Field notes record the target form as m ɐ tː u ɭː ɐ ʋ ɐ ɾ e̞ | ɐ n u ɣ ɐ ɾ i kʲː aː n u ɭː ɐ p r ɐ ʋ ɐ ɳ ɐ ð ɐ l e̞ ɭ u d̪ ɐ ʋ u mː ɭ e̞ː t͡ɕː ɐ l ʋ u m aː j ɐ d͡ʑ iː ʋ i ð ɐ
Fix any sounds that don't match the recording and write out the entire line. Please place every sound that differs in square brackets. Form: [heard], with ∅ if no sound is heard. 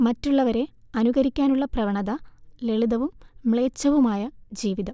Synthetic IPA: m ɐ tː u ɭː ɐ ʋ ɐ ɾ e̞ | ɐ n u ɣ ɐ ɾ i kʲː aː n u ɭː ɐ p r ɐ ʋ ɐ ɳ ɐ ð ɐ l e̞ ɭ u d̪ ɐ ʋ u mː ɭ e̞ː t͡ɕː ɐ [∅] ʋ u m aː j ɐ d͡ʑ iː ʋ i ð ɐ